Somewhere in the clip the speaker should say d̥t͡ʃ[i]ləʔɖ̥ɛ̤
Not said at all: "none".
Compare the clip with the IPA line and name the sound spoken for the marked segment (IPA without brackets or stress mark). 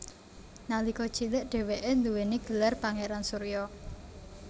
i